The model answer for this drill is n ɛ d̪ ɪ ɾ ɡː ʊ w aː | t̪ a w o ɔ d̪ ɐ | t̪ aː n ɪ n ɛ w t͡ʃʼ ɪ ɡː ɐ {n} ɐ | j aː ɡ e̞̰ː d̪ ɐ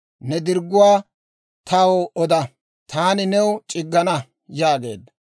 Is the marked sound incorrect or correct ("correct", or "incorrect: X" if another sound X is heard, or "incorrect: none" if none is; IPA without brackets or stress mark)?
correct